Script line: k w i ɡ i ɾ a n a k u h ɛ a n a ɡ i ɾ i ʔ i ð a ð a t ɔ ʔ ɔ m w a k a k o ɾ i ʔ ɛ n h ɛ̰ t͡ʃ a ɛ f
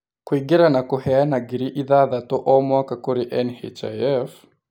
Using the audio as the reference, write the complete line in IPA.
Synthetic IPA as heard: k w i ɡ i ɾ a n a k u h ɛ a n a ɡ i ɾ i ʔ i ð a ð a t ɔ ʔ ɔ m w a k a k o ɾ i ʔ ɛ n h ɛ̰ t͡ʃ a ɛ f